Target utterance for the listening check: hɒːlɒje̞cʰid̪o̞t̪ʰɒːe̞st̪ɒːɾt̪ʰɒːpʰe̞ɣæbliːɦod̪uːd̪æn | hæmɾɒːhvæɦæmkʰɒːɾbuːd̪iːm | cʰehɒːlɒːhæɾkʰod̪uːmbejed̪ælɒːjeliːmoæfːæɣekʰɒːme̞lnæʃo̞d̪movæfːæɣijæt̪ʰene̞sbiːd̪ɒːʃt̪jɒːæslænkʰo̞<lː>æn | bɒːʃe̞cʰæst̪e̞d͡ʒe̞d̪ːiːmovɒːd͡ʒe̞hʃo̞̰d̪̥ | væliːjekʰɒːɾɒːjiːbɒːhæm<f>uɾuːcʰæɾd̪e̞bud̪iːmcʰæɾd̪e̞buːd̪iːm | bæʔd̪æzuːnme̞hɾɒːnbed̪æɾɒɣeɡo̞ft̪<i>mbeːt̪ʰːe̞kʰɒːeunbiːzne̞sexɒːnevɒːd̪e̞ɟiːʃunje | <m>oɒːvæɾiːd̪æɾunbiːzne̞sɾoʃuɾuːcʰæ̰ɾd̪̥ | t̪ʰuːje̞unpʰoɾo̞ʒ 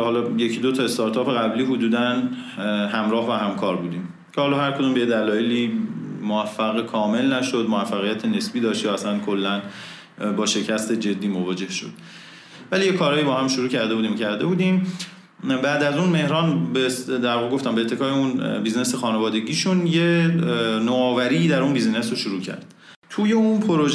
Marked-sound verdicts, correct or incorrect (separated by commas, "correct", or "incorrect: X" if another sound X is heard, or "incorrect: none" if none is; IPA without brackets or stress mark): correct, incorrect: ʃ, incorrect: æ, incorrect: n